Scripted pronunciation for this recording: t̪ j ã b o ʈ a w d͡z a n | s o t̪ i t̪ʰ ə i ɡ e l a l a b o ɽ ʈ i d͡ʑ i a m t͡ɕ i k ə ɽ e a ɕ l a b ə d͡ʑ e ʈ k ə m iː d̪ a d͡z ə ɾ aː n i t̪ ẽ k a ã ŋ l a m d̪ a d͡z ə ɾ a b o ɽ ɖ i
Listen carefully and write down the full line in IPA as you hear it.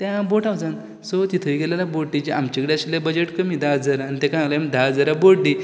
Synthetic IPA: t̪ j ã b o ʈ a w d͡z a n | s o t̪ i t̪ʰ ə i ɡ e l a l a b o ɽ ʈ i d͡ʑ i a m t͡ɕ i k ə ɽ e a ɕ l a b ə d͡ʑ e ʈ k ə m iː d̪ a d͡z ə ɾ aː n i t̪ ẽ k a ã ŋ l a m d̪ a d͡z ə ɾ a b o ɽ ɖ i